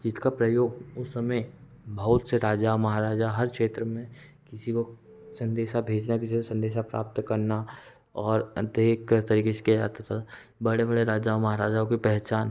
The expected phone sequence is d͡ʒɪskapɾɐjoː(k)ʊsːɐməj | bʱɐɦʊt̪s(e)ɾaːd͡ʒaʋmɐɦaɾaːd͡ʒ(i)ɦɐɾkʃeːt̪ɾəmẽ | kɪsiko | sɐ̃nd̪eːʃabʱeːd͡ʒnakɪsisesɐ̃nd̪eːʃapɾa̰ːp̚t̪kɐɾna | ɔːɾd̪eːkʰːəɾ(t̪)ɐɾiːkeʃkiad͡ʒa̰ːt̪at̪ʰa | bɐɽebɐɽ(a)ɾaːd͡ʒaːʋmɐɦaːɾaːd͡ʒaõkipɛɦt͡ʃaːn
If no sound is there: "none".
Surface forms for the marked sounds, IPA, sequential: ɡ, e, a, t̪, e

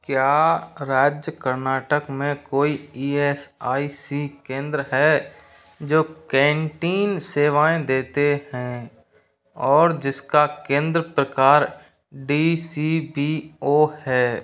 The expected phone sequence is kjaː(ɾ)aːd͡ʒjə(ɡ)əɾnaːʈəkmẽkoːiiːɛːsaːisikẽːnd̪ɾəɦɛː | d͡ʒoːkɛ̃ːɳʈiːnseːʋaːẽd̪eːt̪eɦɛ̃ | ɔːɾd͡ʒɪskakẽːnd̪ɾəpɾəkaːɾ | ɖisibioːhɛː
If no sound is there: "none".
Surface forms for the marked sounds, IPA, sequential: ɾ, k

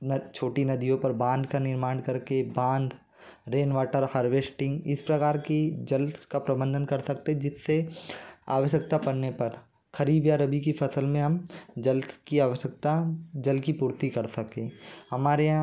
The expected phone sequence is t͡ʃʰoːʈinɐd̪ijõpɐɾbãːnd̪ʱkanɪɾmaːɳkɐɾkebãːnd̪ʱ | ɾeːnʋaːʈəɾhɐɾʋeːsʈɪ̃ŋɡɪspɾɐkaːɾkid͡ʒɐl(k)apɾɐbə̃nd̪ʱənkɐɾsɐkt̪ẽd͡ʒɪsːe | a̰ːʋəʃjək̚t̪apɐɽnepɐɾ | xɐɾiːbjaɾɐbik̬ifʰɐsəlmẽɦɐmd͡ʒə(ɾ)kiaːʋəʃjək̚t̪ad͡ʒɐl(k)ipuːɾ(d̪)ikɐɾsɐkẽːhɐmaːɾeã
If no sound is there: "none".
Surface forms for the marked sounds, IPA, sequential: k, l, k, t̪

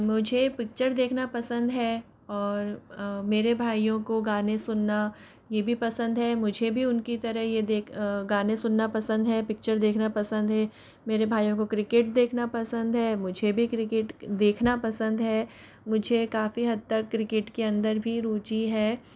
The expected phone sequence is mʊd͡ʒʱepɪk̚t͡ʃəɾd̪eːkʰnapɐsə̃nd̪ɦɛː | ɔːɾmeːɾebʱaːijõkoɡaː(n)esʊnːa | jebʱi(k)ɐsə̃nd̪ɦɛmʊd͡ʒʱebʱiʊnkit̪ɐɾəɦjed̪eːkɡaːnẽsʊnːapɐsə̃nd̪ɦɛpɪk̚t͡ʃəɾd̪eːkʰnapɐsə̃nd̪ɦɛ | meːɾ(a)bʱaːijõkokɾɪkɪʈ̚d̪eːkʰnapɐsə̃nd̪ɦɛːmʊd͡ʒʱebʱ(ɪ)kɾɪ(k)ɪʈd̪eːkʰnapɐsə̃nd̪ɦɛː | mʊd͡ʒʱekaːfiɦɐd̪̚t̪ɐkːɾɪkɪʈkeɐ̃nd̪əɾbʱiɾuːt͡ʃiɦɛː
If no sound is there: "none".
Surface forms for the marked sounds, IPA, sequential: n, p, e, i, k

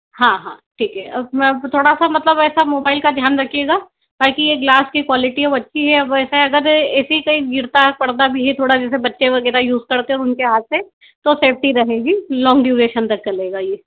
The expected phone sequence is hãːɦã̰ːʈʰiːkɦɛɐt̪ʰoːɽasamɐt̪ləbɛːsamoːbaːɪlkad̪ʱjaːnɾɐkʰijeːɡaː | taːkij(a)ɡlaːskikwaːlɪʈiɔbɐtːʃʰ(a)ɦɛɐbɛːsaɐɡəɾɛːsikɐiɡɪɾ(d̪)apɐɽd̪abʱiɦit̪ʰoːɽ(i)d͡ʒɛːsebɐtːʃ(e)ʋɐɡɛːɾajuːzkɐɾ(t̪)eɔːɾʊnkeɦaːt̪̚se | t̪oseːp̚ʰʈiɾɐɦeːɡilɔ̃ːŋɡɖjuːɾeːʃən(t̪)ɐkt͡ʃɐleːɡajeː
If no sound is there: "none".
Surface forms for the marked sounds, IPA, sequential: e, i, t̪, a, e, t̪, t̪

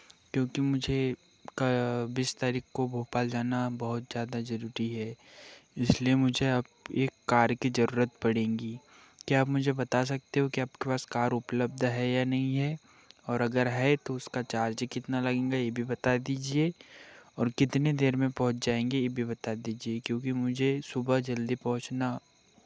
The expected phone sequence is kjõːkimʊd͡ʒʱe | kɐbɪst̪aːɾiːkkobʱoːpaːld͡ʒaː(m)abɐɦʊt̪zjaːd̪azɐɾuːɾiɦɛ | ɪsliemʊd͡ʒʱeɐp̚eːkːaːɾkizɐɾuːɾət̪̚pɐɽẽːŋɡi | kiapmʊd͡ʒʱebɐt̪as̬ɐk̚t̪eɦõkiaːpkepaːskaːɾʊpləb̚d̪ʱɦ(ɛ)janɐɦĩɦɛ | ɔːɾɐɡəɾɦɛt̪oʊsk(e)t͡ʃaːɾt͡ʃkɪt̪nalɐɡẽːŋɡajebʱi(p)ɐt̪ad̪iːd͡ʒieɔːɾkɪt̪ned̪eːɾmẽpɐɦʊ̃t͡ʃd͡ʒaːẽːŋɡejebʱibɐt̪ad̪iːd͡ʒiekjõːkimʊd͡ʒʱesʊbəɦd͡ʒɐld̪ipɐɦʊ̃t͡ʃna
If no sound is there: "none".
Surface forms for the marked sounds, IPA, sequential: n, ɛ, a, b

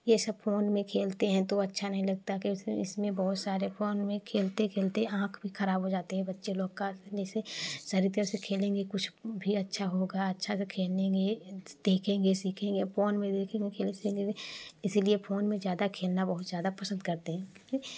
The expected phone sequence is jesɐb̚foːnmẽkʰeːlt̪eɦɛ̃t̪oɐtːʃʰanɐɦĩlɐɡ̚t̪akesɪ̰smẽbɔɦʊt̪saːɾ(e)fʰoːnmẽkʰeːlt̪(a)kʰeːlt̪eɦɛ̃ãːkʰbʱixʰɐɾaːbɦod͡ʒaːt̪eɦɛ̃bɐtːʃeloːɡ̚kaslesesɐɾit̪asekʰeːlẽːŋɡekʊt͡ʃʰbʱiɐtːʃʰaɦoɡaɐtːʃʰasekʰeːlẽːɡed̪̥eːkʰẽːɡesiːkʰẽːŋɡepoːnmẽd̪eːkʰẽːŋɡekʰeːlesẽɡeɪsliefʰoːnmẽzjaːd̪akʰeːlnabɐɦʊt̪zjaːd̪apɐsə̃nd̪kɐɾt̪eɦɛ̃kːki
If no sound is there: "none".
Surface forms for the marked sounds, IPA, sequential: e, e

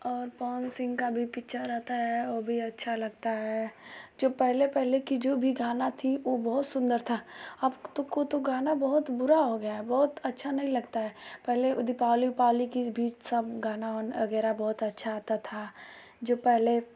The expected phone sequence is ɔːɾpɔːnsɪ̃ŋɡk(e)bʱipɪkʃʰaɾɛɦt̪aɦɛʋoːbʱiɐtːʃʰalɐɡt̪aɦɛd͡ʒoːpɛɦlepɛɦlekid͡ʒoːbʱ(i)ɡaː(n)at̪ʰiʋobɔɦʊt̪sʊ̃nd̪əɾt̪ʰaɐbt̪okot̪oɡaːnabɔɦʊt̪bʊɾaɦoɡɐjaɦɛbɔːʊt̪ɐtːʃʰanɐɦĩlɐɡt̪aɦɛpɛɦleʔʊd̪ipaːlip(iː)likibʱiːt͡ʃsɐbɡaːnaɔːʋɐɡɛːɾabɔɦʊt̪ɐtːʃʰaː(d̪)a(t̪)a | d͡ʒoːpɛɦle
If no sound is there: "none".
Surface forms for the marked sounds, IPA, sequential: a, i, n, aː, t̪, t̪ʰ

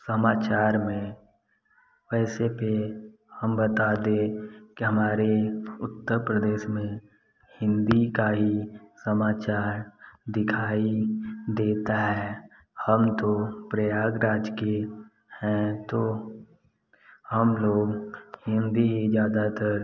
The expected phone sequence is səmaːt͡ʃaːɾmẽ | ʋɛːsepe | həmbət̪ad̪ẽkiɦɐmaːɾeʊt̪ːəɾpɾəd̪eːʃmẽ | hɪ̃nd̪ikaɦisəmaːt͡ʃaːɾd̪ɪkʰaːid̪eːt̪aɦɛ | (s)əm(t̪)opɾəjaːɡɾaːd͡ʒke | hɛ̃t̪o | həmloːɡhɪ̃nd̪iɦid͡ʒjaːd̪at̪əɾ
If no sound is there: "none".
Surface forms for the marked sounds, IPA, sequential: h, t̪

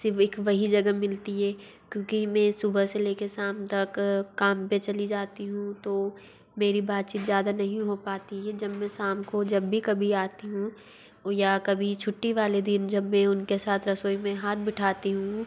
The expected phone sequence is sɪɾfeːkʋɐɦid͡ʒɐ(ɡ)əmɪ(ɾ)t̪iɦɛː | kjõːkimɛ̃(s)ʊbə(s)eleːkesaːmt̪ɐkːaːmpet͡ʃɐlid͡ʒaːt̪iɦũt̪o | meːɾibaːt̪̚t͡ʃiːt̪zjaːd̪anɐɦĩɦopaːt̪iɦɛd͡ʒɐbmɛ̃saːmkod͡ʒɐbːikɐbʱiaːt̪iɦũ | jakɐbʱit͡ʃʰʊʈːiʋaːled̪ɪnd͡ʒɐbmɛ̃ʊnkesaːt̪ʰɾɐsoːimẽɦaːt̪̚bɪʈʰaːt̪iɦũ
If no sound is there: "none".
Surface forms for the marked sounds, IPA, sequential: ɡ, l, s, s

